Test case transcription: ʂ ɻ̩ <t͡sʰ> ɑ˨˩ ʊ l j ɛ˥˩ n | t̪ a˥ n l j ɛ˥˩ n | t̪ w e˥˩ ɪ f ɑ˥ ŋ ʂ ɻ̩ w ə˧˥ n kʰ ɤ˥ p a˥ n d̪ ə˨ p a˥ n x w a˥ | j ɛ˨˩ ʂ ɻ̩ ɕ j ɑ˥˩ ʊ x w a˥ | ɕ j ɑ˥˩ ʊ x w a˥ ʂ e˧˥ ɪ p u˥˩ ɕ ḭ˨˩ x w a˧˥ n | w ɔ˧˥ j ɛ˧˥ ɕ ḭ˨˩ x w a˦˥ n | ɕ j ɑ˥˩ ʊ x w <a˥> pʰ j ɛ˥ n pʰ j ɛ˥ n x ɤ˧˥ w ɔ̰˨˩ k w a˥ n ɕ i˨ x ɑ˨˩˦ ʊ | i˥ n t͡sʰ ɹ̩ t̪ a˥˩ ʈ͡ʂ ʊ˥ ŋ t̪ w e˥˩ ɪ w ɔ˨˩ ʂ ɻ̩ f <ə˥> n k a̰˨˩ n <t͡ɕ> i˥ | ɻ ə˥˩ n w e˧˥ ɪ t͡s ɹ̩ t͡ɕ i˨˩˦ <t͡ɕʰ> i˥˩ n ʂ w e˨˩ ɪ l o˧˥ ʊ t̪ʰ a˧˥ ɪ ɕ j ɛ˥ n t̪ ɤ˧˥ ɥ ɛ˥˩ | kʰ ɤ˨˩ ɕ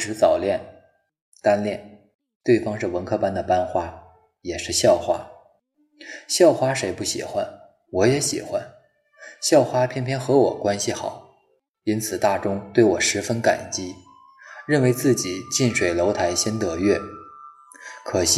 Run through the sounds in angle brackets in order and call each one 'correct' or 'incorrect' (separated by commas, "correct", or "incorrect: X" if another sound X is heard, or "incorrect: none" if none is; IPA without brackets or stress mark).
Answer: incorrect: t͡s, correct, correct, correct, incorrect: t͡ɕ